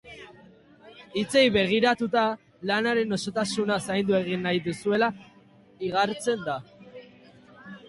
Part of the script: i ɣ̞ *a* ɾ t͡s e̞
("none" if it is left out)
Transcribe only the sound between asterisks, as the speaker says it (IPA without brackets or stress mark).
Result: a